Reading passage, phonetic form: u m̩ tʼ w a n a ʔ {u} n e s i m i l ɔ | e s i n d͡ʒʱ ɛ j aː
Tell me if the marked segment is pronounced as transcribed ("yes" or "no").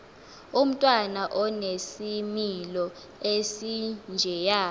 no